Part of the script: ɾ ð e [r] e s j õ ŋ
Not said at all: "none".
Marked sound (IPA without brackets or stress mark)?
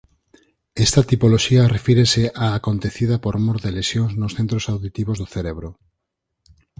l